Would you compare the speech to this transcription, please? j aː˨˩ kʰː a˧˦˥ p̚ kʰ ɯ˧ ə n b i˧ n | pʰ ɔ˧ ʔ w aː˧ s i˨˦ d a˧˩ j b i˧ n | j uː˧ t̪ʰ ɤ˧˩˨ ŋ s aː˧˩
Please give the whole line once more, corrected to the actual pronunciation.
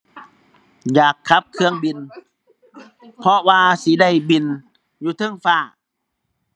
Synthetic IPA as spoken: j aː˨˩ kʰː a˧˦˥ p̚ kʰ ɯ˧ ə ŋ b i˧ n | pʰ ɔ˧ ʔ w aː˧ s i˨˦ d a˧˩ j b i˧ n | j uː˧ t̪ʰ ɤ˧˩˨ ŋ f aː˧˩